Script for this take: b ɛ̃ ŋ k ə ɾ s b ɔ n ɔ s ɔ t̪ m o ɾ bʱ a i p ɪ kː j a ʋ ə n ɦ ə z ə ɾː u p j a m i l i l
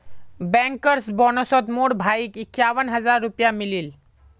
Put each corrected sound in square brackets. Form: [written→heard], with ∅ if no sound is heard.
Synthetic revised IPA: b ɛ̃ ŋ k ə ɾ s b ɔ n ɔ s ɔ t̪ m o [ɾ→ɽ] bʱ a i [p→k] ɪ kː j a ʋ ə n ɦ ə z [ə→a] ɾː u p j a m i l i l

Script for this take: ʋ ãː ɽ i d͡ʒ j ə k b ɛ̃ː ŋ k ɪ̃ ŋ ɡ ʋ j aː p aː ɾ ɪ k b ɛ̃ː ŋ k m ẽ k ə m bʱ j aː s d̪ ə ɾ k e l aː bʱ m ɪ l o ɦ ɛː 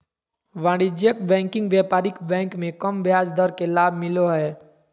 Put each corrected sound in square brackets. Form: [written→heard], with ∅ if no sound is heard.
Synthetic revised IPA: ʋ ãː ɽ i d͡ʒ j ə k b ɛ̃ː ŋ k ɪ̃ ŋ ɡ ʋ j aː p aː ɾ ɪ k b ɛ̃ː ŋ k m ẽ k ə m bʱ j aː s d̪ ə ɾ k e l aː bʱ m ɪ l o ɦ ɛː

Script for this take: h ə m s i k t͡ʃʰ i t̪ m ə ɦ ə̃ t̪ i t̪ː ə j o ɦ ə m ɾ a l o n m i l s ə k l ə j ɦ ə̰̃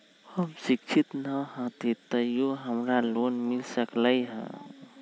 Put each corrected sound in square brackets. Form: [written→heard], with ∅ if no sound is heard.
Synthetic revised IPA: h ə m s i k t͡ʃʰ i t̪ [m→n] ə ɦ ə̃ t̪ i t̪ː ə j o ɦ ə m ɾ a l o n m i l s ə k l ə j ɦ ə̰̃

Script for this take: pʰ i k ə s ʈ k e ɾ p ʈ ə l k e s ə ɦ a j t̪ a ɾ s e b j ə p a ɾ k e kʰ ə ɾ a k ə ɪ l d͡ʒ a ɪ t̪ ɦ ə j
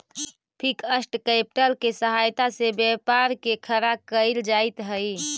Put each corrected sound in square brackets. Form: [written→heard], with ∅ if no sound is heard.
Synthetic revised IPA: pʰ i k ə s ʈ k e [ɾ→∅] p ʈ ə l k e s ə ɦ a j t̪ a [ɾ→∅] s e b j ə p a ɾ k e kʰ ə ɾ a k ə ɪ l d͡ʒ a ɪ t̪ ɦ ə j

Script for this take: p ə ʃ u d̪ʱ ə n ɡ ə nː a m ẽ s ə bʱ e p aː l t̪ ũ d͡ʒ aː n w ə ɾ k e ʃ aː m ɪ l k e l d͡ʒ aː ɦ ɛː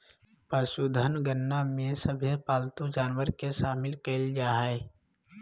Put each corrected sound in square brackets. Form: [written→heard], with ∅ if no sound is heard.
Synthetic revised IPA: p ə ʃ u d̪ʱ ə n ɡ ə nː a m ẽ s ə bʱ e p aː l t̪ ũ d͡ʒ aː n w ə ɾ k e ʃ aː m ɪ l k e l d͡ʒ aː ɦ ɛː

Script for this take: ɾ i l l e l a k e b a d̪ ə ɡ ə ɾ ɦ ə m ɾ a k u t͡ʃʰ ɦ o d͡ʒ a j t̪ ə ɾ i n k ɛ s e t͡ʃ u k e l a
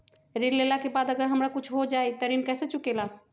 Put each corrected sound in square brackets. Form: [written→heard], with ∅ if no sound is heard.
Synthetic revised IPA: ɾ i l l e l a k e b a d̪ ə ɡ ə ɾ ɦ ə m ɾ a k u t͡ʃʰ ɦ o d͡ʒ a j t̪ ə ɾ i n k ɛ s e t͡ʃ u k e l a

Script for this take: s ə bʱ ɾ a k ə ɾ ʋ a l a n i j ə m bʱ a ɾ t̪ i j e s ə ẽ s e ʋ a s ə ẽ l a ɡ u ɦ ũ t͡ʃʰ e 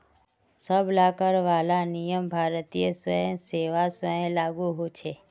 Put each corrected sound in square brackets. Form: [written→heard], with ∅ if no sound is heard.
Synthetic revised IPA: s ə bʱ [ɾ→l] a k ə ɾ ʋ a l a n i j ə m bʱ a ɾ t̪ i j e s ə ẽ s e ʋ a s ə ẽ l a ɡ u ɦ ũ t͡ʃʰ e

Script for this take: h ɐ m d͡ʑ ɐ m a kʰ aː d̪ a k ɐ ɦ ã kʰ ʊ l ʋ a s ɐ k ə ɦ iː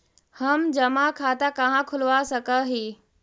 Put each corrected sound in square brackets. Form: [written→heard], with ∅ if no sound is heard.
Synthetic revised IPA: h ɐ m d͡ʑ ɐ m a kʰ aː [d̪→t̪] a k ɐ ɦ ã kʰ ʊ l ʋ a s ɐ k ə ɦ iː

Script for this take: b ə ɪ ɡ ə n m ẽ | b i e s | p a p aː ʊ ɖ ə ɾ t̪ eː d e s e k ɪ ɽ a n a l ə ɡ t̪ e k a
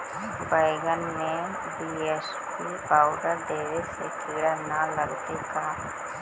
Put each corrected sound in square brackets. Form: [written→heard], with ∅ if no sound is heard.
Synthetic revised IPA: b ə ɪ ɡ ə n m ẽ | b i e s | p [a→i] p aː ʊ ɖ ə ɾ [t̪→d̪] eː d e s e k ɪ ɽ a n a l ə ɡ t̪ e k a

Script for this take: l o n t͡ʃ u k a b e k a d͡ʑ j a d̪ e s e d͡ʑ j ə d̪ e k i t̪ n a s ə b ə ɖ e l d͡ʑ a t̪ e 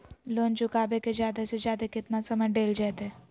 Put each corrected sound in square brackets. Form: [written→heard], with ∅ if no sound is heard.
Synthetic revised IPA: l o n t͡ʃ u k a b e k [a→e] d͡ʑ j a d̪ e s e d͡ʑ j [ə→a] d̪ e k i t̪ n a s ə [b→m] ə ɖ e l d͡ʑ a t̪ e

